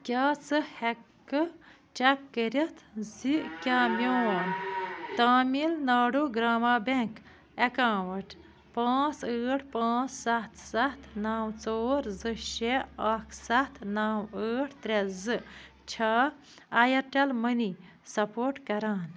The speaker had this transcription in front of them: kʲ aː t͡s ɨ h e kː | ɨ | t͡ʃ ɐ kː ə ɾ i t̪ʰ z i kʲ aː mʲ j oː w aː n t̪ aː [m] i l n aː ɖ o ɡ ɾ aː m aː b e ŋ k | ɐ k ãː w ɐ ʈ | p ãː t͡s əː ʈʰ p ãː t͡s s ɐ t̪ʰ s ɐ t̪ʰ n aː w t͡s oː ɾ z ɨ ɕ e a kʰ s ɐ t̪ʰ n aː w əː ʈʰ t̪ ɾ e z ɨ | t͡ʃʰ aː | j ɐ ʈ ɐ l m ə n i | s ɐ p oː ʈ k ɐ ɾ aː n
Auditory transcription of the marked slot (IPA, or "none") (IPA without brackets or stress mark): m